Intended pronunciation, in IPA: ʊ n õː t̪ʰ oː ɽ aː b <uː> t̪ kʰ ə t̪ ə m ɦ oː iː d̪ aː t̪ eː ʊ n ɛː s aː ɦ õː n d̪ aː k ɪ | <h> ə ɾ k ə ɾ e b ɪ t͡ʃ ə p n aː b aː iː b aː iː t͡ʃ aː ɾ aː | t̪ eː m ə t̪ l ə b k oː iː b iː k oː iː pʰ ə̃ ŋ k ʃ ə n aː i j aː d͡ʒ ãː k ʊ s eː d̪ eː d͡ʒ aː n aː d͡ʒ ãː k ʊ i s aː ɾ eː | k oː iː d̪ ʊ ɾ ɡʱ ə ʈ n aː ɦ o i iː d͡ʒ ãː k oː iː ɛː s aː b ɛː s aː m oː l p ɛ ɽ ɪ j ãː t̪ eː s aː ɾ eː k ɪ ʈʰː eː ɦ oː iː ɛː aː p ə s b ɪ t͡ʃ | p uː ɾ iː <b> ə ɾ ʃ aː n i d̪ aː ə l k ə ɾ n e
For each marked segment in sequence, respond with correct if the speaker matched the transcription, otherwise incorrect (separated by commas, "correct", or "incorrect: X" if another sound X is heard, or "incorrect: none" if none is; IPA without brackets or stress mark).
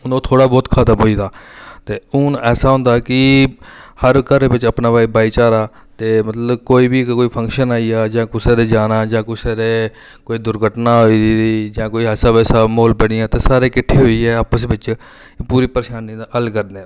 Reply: incorrect: ɔː, correct, incorrect: p